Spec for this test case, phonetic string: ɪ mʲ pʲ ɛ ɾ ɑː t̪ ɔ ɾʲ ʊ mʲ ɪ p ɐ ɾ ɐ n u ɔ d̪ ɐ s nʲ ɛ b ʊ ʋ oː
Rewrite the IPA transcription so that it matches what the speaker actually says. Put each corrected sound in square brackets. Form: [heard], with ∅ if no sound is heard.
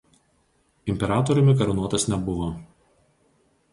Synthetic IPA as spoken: ɪ mʲ pʲ ɛ ɾ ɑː t̪ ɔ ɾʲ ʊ mʲ ɪ [k] ɐ ɾ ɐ n u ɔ [t̪] ɐ s nʲ ɛ b ʊ ʋ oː